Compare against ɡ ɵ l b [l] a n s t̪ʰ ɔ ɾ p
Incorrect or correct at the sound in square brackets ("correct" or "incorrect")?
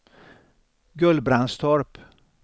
incorrect